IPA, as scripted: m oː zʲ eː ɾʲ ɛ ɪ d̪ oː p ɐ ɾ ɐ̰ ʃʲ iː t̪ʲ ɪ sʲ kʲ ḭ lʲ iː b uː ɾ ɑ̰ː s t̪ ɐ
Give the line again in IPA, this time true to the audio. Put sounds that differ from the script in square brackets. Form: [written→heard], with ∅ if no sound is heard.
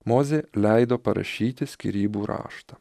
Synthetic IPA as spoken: m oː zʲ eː [ɾʲ→lʲ] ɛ ɪ d̪ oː p ɐ ɾ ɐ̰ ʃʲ iː t̪ʲ ɪ sʲ kʲ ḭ [lʲ→ɾʲ] iː b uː ɾ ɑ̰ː [s→ʃ] t̪ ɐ